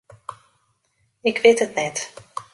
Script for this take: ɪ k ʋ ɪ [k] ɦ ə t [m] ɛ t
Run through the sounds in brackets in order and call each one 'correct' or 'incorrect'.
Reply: incorrect: t, incorrect: n

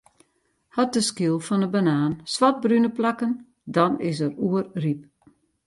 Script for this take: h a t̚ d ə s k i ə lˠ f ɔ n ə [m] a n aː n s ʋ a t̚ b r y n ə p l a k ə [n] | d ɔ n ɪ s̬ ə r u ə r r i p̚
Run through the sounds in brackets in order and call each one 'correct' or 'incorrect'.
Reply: incorrect: b, correct

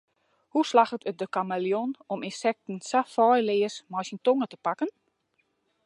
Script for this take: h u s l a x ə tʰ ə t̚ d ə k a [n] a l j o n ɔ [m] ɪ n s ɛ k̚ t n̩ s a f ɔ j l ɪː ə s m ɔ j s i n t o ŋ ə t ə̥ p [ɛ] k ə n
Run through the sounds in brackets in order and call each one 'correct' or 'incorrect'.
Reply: incorrect: m, correct, incorrect: a

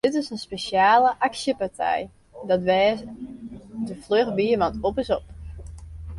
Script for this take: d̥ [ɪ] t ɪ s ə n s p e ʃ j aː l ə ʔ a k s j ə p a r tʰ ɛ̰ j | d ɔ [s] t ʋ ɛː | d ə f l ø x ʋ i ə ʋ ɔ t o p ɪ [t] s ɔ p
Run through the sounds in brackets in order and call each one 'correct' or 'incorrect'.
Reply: correct, incorrect: none, incorrect: none

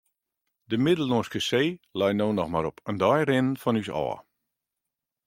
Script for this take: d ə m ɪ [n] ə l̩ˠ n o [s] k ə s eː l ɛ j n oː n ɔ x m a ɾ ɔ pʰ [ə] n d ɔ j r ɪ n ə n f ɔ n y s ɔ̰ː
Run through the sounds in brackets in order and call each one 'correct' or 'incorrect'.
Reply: incorrect: d, correct, correct

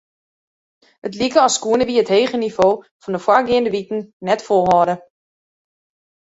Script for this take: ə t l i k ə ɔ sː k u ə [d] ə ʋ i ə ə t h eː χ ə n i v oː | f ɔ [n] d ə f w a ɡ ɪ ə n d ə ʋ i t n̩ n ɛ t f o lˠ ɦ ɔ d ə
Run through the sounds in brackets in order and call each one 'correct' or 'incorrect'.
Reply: incorrect: n, correct

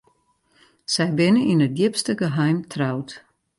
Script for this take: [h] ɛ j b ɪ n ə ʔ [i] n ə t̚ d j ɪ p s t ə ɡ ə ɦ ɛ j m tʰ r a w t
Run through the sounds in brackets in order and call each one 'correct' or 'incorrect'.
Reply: incorrect: s, correct

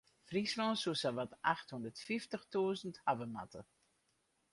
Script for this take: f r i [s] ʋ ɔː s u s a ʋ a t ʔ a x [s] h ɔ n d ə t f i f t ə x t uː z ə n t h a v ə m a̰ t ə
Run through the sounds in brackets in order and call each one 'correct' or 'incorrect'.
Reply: correct, incorrect: t

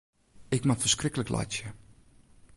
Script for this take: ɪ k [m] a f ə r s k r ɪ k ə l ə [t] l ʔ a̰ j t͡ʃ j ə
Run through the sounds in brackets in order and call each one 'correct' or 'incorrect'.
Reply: correct, incorrect: k

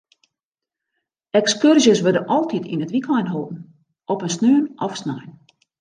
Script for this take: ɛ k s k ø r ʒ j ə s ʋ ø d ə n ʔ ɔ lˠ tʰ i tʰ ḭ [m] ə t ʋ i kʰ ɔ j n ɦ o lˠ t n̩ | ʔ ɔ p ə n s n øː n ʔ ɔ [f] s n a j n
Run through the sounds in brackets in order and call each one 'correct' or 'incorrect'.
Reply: incorrect: n, correct

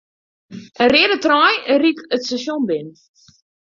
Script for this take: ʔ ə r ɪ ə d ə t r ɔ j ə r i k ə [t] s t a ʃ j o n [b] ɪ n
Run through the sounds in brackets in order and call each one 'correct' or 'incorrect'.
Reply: correct, correct

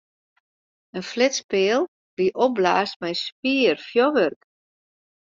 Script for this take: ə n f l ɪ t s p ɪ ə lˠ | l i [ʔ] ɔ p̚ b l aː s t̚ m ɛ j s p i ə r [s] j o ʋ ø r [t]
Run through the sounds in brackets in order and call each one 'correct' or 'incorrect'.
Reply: correct, incorrect: f, incorrect: k

